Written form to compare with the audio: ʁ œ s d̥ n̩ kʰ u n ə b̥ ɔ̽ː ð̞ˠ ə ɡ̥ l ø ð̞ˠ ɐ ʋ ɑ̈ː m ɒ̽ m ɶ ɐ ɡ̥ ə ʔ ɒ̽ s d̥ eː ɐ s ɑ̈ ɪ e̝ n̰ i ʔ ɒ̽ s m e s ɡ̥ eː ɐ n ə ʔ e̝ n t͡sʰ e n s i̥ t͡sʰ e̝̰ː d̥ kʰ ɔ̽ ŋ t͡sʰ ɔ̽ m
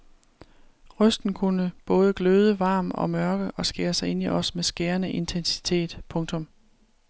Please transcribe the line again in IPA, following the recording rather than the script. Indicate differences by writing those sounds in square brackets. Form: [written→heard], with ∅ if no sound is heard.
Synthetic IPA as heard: ʁ œ s d̥ n̩ kʰ u n ə b̥ ɔ̽ː ð̞ˠ ə ɡ̥ l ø ð̞ˠ [ɐ→ə] ʋ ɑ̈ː m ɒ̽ m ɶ ɐ ɡ̥ ə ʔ ɒ̽ s [d̥→ɡ̥] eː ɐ s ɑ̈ ɪ e̝ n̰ i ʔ ɒ̽ s m e s ɡ̥ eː ɐ n ə ʔ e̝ n t͡sʰ e n s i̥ t͡sʰ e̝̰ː d̥ [kʰ→pʰ] ɔ̽ ŋ t͡sʰ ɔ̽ m